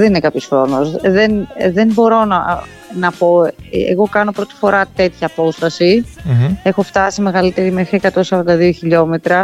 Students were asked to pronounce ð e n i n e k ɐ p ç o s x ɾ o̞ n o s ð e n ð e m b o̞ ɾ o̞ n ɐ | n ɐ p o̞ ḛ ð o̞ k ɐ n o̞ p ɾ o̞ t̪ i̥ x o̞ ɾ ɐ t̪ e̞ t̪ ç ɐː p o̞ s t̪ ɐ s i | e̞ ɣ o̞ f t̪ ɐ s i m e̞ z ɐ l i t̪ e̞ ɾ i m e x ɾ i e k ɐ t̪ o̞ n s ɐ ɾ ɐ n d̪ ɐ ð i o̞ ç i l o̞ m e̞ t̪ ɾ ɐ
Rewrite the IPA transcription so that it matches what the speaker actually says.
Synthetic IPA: ð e n i n e k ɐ p ç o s x ɾ o̞ n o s ð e n ð e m b o̞ ɾ o̞ n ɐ | n ɐ p o̞ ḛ ɣ o̞ k ɐ n o̞ p ɾ o̞ t̪ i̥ f o̞ ɾ ɐ t̪ e̞ t̪ ç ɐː p o̞ s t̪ ɐ s i | e̞ x o̞ f t̪ ɐ s i m e̞ ɣ ɐ l i t̪ e̞ ɾ i m e x ɾ i e k ɐ t̪ o̞ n s ɐ ɾ ɐ n d̪ ɐ ð i o̞ ç i ʎ o̞ m e̞ t̪ ɾ ɐ